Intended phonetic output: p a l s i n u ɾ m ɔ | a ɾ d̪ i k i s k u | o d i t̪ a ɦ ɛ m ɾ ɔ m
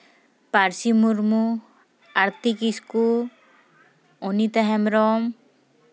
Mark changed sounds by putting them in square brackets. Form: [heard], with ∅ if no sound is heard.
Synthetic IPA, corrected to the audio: p a [ɾ] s i [m] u ɾ m [u] | a ɾ [t̪] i k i s k u | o [n] i t̪ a ɦ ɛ m ɾ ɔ m